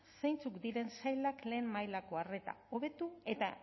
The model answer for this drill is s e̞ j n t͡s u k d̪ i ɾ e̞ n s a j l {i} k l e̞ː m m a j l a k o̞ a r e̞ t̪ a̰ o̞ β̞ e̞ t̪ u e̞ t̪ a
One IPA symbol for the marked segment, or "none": a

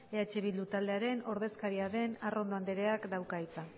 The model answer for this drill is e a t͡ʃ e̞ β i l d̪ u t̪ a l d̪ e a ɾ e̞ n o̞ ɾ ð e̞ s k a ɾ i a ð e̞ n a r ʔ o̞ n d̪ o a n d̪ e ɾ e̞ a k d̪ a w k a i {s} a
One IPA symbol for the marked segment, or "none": t͡s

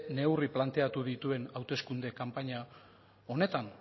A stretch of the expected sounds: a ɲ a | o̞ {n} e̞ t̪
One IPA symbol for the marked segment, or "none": n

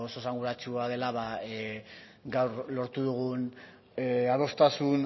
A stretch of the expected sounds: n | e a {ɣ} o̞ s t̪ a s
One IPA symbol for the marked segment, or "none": ð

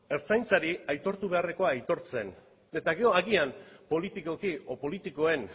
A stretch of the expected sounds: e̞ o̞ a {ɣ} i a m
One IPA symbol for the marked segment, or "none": ɣ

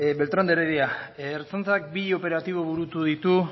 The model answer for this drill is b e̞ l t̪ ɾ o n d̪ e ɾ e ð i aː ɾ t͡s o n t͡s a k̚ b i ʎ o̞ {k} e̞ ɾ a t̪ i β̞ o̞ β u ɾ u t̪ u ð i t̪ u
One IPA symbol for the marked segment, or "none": p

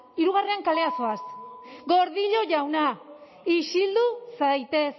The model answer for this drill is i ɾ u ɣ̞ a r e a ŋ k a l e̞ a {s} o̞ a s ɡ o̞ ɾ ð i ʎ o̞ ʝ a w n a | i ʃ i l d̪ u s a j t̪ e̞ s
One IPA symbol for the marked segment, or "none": s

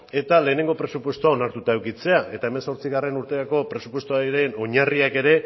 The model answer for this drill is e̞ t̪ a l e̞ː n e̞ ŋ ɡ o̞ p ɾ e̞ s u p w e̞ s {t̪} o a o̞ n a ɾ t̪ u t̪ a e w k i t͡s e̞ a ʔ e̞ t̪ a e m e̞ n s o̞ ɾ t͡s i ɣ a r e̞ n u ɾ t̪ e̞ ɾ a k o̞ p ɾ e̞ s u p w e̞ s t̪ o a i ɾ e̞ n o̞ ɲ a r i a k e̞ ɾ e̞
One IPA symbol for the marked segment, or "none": t̪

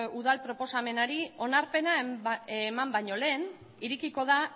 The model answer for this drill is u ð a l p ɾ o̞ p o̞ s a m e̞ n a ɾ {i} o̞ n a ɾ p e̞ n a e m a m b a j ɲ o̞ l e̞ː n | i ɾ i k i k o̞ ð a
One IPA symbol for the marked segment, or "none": i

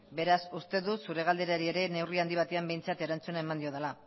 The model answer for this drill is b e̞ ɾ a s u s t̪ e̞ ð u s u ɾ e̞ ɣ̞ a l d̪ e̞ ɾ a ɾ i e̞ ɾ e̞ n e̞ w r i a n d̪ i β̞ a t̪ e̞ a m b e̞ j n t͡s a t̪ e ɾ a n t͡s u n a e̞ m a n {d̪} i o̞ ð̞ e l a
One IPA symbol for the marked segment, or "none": d̪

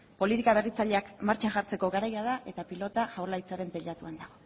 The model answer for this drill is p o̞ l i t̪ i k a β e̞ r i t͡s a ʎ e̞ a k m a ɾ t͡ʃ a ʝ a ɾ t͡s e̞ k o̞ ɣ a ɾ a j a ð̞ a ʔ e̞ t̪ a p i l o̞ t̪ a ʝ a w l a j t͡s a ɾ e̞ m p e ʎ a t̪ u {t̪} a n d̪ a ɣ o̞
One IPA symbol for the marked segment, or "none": none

